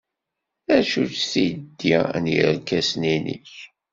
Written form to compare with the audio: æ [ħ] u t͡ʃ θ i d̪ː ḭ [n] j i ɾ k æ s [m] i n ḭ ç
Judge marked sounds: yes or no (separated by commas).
no, yes, no